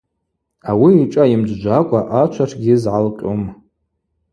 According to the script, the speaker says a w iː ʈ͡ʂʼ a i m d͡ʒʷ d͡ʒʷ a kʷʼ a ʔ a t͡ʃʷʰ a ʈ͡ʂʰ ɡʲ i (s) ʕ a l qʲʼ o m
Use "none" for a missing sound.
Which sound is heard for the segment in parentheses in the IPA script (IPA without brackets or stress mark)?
z